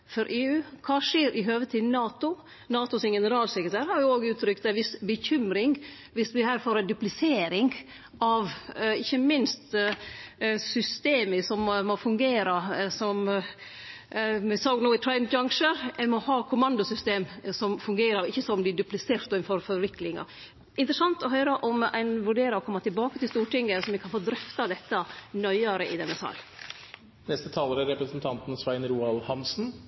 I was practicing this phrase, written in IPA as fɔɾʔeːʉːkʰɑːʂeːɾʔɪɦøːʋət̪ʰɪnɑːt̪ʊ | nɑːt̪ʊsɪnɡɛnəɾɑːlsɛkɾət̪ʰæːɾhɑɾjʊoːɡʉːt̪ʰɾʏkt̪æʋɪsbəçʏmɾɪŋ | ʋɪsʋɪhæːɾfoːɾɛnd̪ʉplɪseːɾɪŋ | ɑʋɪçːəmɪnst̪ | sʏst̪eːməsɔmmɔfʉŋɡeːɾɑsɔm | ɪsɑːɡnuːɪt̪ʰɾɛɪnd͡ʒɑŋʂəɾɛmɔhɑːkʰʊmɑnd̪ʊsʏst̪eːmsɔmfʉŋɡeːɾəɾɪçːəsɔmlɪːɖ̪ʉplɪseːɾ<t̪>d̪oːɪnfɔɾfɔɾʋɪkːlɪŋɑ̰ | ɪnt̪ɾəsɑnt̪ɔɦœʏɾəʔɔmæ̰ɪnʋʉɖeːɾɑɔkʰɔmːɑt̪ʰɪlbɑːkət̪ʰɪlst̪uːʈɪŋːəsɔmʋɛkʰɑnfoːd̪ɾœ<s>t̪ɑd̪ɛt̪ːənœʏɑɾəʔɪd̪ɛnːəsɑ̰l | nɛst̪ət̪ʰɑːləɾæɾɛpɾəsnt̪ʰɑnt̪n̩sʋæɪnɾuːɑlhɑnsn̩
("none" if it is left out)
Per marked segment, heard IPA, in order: t̪, f

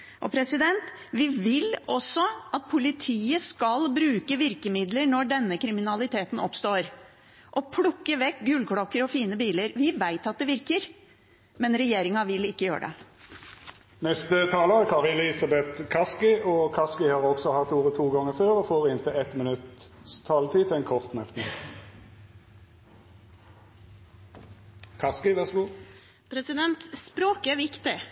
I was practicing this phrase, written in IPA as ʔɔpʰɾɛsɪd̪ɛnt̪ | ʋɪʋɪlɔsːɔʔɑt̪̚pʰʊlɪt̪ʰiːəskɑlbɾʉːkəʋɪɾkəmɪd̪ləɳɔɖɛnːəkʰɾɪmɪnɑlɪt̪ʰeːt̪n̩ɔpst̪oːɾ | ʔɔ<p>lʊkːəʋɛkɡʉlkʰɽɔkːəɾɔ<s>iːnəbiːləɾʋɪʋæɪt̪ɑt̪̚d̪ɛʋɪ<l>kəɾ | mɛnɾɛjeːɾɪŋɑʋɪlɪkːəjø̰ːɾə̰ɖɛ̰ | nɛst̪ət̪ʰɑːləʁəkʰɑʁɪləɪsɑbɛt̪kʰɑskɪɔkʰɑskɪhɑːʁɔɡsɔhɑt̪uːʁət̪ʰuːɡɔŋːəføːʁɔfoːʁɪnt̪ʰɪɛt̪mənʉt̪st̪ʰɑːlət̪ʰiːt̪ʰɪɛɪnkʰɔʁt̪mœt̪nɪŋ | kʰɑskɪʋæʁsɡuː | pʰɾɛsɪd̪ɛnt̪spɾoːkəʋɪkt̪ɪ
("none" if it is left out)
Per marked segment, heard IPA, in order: pʰ, f, ɾ

